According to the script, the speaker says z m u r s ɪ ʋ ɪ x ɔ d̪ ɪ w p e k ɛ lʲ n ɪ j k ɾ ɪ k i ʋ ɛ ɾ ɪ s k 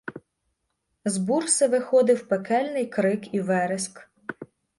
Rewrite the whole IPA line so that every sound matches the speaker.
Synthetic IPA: z b u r s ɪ ʋ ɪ x ɔ d̪ ɪ w p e k ɛ lʲ n ɪ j k ɾ ɪ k i ʋ ɛ ɾ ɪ s k